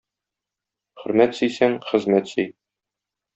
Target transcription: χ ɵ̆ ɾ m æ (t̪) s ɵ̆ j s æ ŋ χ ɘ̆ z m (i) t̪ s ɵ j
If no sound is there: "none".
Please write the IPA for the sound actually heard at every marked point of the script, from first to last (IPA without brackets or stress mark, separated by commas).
t̪, æ